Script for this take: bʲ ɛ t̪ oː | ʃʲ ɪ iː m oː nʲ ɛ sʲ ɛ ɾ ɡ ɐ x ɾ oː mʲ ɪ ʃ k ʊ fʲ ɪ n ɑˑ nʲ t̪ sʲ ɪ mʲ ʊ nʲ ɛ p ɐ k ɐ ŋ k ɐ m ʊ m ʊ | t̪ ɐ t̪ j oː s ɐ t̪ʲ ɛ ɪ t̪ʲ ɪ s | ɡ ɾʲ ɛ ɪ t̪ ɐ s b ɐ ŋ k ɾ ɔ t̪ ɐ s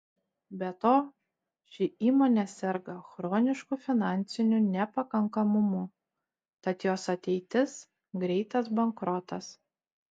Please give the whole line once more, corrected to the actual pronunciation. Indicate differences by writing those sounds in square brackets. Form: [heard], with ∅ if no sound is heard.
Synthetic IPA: bʲ ɛ t̪ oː | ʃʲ ɪ iː m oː nʲ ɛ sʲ ɛ ɾ ɡ ɐ x ɾ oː [nʲ] ɪ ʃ k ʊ fʲ ɪ n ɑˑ nʲ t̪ sʲ ɪ [nʲ] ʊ nʲ ɛ p ɐ k ɐ ŋ k ɐ m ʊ m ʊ | t̪ ɐ t̪ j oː s ɐ t̪ʲ ɛ ɪ t̪ʲ ɪ s | ɡ ɾʲ ɛ ɪ t̪ ɐ s b ɐ ŋ k ɾ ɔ t̪ ɐ s